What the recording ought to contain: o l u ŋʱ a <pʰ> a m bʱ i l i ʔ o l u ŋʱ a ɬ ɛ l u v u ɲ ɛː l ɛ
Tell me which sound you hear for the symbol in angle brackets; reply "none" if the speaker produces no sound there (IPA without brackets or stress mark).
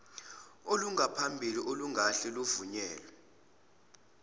pʰ